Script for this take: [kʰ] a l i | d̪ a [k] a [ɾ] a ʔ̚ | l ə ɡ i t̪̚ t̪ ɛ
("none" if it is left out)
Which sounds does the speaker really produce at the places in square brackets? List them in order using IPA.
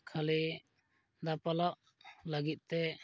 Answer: kʰ, p, l

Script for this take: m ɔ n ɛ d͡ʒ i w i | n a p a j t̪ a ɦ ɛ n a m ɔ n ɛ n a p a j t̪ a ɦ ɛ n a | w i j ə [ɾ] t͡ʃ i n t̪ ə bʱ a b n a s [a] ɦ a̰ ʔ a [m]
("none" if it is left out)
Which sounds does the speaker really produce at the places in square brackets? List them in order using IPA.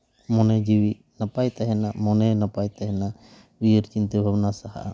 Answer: ɾ, a, none

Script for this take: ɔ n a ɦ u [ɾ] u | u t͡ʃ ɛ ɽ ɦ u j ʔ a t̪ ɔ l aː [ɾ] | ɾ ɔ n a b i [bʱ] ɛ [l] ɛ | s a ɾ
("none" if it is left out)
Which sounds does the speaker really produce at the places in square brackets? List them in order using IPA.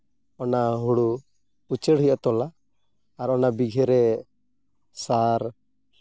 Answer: ɽ, none, ɡʱ, ɾ

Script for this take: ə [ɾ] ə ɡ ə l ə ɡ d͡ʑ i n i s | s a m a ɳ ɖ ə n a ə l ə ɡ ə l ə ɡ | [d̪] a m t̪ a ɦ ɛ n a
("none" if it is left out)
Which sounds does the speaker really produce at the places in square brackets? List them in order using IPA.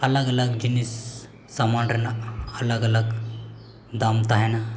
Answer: l, d̪

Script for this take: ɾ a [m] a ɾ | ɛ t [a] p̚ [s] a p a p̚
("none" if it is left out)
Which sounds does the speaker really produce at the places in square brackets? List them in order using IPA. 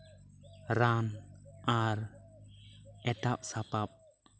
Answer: n, a, s

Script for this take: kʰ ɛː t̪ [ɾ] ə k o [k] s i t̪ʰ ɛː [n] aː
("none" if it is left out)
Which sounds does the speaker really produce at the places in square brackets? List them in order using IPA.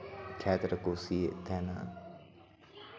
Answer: ɾ, none, n

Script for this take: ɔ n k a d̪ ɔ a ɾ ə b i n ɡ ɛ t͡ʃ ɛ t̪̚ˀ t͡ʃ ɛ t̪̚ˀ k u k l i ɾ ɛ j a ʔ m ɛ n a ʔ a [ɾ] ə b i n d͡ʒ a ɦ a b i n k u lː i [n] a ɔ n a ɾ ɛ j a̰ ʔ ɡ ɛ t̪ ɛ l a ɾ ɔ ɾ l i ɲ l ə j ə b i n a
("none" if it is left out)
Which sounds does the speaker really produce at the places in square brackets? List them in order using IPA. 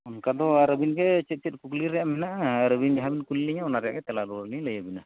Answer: ɾ, ɲ

